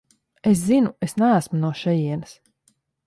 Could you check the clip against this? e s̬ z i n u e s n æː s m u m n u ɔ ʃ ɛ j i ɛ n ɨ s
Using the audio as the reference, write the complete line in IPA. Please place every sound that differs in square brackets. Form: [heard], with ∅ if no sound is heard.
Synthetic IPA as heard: e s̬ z i n u e s n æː s m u [∅] n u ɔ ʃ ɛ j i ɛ n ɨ s